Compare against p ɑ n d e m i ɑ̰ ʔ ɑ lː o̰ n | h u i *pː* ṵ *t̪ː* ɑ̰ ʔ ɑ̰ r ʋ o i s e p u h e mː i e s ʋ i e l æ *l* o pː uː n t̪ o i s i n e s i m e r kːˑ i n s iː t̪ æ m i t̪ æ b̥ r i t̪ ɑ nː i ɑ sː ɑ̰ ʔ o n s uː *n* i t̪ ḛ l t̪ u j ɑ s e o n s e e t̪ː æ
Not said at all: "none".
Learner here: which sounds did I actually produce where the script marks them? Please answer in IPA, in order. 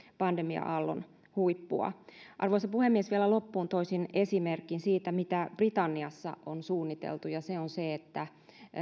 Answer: pː, none, l, nː

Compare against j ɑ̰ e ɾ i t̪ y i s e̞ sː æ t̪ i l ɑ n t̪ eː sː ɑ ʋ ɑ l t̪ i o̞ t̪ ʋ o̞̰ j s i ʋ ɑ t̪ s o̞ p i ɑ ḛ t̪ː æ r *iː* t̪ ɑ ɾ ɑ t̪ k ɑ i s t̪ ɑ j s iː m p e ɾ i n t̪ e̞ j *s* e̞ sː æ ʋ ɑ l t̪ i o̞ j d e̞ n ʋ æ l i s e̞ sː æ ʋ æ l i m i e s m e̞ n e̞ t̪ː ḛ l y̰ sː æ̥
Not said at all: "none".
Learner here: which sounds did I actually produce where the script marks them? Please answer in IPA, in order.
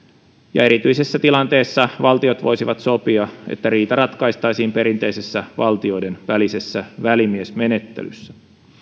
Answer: iː, s

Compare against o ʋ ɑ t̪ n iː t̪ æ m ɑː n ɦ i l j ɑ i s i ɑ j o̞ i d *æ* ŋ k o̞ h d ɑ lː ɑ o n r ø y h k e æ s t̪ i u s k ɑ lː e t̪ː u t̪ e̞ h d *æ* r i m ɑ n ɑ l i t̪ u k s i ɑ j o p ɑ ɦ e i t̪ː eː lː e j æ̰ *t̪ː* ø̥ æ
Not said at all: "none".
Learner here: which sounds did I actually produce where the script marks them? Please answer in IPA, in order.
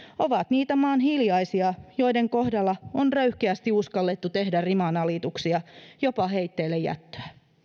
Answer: e, æ, t̪ː

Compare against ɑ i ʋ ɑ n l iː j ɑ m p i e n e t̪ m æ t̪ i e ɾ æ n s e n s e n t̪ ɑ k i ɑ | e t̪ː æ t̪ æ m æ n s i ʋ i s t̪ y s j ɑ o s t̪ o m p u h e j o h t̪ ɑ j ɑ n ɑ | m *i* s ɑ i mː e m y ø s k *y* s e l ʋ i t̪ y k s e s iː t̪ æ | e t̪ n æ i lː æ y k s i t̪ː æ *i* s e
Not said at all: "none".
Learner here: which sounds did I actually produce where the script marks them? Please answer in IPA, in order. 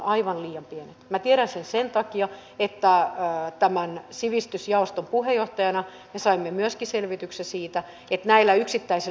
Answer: e, i, i

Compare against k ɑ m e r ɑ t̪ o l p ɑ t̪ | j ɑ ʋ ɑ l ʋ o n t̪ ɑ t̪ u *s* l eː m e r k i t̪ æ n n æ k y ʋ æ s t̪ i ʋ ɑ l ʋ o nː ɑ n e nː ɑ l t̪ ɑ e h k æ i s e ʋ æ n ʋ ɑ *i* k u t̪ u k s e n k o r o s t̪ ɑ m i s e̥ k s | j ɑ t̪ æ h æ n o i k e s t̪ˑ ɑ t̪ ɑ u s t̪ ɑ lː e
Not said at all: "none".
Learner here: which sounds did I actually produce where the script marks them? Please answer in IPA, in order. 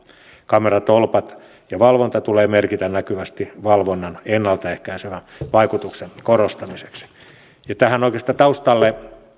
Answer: none, i

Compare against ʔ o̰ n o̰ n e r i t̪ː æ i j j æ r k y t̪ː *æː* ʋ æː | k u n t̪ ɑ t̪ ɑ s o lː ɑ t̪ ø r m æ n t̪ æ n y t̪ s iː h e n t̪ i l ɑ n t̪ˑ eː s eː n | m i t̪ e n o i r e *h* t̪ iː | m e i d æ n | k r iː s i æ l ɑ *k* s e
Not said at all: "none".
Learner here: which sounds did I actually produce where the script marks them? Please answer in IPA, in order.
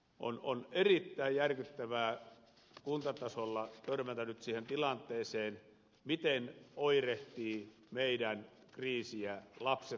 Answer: æ, h, p

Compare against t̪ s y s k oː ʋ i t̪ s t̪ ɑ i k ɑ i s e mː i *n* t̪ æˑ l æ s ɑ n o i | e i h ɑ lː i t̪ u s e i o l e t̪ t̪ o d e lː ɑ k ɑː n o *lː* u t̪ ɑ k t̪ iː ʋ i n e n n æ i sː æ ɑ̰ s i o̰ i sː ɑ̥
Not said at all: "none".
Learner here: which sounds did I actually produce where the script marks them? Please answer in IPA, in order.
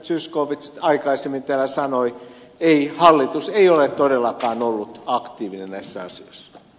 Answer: n, lː

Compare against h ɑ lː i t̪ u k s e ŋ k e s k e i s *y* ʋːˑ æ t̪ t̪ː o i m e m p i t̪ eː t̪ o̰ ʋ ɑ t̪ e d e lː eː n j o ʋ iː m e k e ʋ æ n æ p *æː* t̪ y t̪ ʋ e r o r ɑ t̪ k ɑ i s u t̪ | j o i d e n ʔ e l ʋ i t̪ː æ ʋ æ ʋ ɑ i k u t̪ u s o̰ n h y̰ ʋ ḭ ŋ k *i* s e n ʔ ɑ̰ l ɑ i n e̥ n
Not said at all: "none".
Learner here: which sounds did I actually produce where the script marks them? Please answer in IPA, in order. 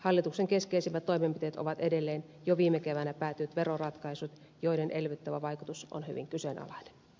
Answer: i, æː, y

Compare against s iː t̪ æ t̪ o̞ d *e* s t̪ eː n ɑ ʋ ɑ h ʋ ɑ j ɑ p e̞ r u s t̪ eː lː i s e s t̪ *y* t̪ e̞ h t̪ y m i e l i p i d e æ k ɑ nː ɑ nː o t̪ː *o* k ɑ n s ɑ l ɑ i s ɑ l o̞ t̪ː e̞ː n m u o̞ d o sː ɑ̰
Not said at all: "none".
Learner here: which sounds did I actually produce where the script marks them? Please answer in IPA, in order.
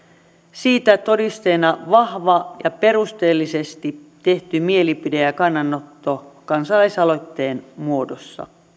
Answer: i, i, o

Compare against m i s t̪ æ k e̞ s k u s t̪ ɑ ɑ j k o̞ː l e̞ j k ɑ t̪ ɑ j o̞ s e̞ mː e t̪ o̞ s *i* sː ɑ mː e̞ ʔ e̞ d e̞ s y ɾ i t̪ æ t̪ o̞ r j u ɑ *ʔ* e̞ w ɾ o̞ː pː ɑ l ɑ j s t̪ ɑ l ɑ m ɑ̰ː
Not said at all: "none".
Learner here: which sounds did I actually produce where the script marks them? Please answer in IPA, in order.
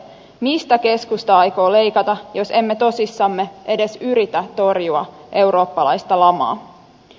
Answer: i, ʔ

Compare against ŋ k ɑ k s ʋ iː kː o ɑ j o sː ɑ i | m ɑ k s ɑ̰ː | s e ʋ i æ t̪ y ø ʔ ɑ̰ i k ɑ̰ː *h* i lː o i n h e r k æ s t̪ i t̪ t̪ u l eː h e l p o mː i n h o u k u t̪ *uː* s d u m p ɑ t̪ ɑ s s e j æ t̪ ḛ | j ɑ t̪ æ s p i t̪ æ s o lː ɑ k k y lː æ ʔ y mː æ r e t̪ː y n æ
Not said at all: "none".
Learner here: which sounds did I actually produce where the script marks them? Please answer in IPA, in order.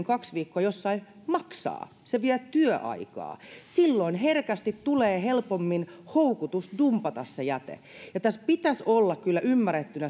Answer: s, u

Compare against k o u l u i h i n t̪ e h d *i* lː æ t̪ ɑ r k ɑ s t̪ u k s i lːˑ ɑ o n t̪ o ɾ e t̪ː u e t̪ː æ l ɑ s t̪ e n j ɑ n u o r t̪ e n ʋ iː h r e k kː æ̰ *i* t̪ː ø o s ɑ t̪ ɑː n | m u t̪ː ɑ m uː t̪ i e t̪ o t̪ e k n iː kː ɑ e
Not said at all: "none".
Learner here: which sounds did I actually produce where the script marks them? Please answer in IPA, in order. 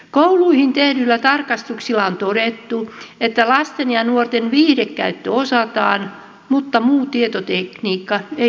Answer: y, y

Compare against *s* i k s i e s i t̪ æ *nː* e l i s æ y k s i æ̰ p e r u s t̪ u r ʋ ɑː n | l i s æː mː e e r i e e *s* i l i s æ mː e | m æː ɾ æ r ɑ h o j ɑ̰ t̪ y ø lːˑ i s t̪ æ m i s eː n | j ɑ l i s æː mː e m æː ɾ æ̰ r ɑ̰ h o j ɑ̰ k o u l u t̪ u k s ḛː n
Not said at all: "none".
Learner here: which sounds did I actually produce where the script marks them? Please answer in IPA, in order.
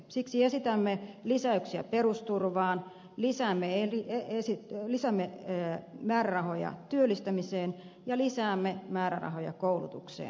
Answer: s, mː, s

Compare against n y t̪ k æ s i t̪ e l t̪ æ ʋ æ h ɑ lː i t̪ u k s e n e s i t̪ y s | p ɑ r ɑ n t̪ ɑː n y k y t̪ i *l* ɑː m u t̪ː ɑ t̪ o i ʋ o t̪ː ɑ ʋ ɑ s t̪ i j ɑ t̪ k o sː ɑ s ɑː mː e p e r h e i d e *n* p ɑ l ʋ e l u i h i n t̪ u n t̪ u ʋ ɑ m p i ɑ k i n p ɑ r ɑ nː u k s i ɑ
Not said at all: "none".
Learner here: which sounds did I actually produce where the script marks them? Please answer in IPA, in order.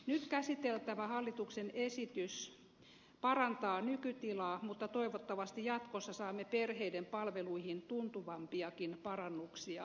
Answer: l, m

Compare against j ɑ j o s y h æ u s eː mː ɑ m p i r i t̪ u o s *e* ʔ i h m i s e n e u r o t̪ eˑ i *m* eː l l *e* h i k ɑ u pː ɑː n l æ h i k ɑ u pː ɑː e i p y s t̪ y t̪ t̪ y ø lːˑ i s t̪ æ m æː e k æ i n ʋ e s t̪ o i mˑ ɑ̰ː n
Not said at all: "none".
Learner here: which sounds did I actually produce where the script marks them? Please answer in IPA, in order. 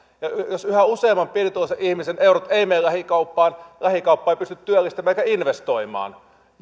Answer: e, m, æ

